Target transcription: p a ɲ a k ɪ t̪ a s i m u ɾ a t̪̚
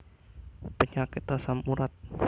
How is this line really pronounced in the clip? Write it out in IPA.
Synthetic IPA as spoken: p ə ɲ a k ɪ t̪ a s a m u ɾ a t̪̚